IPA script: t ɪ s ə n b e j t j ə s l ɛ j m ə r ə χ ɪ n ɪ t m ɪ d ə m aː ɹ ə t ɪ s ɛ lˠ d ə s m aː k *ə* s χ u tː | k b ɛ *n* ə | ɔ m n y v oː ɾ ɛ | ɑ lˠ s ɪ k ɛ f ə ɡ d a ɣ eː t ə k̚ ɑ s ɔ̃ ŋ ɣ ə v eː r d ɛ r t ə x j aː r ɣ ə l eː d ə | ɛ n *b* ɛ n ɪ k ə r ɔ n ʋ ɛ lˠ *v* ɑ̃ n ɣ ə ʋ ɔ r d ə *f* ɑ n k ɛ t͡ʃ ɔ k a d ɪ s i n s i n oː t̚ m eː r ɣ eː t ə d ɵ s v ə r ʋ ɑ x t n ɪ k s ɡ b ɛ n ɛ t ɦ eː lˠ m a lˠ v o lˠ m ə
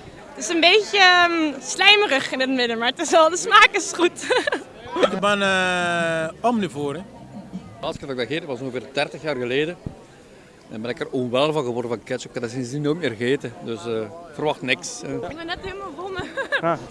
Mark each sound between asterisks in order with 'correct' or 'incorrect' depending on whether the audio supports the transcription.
correct, correct, correct, correct, incorrect: v

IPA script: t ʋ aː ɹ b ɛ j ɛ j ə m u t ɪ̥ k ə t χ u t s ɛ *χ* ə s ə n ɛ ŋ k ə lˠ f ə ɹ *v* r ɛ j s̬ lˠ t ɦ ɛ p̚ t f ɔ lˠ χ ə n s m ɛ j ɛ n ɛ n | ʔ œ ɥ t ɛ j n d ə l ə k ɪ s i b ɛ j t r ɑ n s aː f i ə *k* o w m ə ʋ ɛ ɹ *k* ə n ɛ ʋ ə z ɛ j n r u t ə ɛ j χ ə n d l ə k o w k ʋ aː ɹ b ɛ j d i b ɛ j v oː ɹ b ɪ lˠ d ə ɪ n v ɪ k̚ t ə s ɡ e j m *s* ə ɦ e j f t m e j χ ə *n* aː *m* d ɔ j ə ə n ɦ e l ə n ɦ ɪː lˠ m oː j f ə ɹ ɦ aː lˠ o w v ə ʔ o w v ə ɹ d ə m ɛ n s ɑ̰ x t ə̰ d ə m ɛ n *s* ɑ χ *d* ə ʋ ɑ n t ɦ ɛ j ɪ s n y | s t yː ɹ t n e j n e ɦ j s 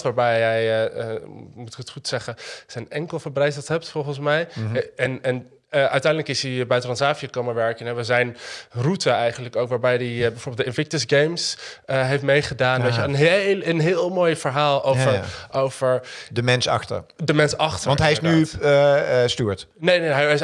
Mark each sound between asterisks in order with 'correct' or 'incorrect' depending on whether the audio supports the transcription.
correct, incorrect: b, correct, correct, correct, incorrect: d, incorrect: n, correct, incorrect: t

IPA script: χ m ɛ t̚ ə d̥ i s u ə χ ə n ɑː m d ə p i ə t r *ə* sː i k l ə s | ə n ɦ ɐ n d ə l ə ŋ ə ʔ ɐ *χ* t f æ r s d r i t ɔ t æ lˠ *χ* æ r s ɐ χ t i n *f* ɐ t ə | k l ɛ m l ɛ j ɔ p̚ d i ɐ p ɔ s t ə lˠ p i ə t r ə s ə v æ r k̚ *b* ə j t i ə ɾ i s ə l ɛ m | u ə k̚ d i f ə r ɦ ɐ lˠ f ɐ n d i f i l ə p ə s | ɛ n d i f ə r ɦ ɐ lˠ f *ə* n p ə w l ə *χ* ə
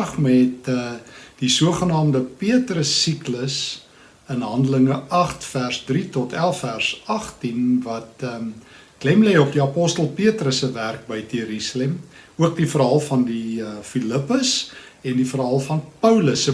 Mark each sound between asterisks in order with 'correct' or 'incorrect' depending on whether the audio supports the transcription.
correct, correct, incorrect: f, incorrect: v, correct, incorrect: ɐ, incorrect: s

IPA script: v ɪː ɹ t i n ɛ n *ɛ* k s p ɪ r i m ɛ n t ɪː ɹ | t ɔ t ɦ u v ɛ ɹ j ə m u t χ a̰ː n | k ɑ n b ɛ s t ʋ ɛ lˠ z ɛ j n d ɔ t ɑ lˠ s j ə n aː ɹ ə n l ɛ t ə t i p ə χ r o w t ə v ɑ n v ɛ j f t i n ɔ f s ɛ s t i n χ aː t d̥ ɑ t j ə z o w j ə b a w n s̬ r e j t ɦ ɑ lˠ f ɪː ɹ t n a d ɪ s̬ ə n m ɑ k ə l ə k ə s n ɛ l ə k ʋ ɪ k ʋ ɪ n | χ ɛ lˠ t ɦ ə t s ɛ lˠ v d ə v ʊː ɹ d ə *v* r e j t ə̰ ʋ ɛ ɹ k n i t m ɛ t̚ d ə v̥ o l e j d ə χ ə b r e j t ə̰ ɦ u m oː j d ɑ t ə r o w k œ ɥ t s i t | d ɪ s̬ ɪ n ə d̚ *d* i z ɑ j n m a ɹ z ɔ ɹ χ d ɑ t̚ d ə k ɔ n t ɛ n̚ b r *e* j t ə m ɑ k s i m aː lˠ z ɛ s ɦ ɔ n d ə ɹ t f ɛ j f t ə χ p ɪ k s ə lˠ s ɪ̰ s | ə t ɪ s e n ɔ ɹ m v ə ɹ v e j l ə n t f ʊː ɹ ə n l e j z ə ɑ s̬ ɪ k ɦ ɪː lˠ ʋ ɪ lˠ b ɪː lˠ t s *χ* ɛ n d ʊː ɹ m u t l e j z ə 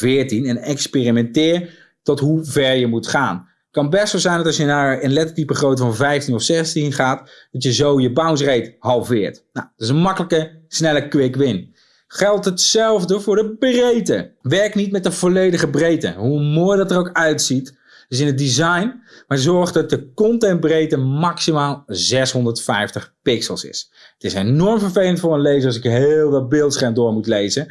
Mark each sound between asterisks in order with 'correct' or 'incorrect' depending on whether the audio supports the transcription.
correct, incorrect: b, correct, correct, correct

